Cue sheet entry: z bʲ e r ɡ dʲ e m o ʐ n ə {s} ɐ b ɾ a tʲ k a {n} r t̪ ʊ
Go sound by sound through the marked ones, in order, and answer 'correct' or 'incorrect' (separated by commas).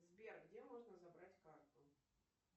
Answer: incorrect, incorrect